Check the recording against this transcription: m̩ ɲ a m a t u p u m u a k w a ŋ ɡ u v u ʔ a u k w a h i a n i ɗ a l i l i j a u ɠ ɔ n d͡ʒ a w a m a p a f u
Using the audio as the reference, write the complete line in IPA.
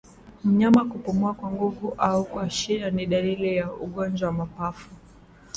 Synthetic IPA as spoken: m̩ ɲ a m a k u p u m u a k w a ŋ ɡ u v u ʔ a u k w a ʃ i a n i ɗ a l i l i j a u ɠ ɔ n d͡ʒ a w a m a p a f u